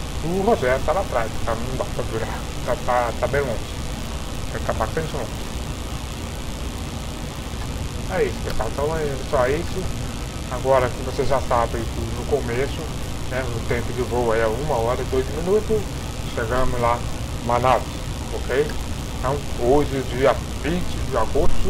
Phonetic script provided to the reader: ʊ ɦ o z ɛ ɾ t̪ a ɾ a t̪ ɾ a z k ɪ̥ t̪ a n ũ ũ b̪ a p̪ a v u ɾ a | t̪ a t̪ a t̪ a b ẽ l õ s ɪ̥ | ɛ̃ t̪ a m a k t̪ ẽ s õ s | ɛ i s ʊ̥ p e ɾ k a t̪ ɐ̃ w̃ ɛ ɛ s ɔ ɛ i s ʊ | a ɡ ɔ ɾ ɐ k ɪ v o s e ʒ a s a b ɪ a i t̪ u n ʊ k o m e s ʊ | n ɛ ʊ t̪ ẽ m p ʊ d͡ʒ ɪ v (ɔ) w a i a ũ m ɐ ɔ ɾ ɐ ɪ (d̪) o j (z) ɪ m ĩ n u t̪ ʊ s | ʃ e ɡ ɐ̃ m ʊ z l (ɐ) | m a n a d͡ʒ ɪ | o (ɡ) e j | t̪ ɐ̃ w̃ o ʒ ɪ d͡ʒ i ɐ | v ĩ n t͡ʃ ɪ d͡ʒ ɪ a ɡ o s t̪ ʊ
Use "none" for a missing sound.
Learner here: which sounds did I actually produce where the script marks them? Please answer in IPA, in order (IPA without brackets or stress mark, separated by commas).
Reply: o, d̪, z, a, k